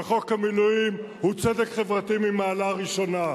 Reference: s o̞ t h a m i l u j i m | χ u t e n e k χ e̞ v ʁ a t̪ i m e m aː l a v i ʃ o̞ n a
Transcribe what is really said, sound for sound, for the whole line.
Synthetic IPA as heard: χ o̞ k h a m i l u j i m | h u t͡s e d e k χ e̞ v ʁ a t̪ i m i m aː l a ʁ i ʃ o̞ n a